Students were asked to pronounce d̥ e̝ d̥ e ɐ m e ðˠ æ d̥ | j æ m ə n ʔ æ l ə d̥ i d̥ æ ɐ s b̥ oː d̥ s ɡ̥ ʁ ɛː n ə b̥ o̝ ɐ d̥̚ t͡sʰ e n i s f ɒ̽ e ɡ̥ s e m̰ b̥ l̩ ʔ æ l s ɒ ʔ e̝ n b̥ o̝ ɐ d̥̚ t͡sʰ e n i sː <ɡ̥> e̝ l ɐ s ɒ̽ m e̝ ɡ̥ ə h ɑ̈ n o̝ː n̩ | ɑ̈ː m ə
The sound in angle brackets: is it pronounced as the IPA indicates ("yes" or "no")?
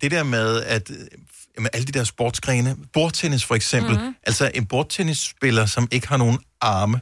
no